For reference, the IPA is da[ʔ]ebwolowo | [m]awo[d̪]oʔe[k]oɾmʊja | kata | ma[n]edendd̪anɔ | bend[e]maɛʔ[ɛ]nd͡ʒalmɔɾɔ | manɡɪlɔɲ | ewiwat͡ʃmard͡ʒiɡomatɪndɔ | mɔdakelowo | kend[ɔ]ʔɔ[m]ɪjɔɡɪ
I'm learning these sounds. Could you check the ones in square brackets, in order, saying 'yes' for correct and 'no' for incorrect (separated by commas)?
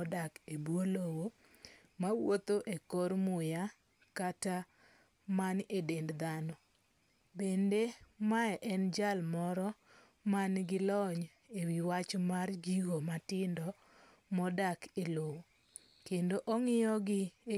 no, yes, no, yes, yes, yes, yes, no, no